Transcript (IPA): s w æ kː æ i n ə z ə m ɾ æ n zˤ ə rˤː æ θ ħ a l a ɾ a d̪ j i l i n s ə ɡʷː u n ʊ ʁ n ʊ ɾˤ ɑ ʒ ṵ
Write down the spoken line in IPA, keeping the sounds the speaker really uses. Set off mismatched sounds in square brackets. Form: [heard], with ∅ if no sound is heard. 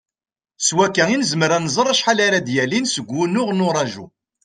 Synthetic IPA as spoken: s w æ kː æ i n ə z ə m ɾ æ n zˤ ə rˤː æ [ʃ] ħ a l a ɾ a d̪ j [æ] l i n s ə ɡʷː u n ʊ ʁ n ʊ ɾˤ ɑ ʒ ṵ